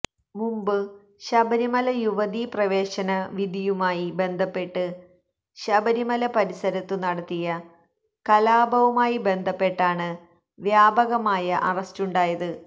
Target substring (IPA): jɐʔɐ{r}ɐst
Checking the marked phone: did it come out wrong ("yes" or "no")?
no